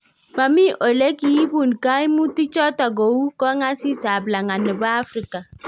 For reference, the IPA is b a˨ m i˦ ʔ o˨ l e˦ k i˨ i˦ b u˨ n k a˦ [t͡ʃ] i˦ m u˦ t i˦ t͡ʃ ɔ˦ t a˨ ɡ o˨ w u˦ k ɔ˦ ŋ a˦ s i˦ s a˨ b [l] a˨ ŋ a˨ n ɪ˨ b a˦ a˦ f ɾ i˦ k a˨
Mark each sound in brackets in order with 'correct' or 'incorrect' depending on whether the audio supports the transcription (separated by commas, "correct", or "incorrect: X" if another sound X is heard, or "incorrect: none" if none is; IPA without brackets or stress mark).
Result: incorrect: none, correct